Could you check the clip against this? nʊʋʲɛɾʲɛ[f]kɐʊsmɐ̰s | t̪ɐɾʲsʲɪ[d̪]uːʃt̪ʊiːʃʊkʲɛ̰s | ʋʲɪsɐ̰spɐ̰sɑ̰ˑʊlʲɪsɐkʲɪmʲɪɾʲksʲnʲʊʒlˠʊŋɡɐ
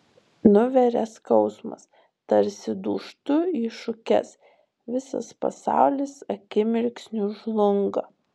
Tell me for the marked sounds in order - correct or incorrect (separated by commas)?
incorrect, correct